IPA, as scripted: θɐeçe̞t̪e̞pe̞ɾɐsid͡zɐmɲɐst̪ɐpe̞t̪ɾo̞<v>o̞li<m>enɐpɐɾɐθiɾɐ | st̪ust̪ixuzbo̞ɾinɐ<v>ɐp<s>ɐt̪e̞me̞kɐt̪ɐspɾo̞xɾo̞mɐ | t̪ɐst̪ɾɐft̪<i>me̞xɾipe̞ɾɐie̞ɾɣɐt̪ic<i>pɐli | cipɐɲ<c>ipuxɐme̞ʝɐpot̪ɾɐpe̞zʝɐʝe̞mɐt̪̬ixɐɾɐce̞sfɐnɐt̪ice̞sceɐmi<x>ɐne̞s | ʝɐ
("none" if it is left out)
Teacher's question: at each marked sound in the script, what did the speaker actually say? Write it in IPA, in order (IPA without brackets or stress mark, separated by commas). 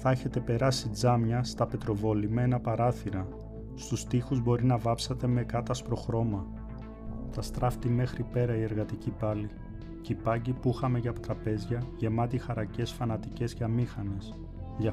v, m, v, s, i, i, ɟ, x